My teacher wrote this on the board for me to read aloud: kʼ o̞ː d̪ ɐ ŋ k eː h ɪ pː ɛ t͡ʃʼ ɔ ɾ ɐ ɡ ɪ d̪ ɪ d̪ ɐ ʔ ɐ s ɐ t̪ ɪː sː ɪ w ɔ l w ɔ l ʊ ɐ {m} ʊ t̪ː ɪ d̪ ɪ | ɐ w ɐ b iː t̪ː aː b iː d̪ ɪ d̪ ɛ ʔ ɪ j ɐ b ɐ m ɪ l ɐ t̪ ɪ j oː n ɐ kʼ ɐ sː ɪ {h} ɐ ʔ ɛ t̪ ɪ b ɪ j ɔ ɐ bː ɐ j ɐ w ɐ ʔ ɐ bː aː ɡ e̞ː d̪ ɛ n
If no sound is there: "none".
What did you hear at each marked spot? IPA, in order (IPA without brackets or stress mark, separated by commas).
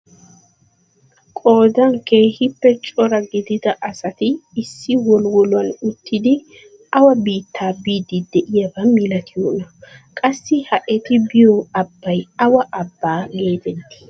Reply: n, h